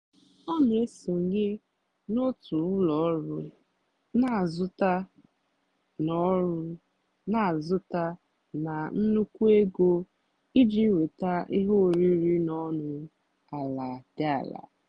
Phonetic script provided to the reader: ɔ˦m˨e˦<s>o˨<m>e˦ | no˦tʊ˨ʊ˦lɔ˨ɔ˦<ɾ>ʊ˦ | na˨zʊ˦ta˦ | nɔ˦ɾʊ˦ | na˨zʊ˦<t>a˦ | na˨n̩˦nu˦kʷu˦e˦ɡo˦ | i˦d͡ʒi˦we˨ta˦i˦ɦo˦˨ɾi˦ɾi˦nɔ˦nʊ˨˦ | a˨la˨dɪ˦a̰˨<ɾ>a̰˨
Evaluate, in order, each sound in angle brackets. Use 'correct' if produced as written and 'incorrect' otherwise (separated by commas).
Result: correct, incorrect, correct, correct, incorrect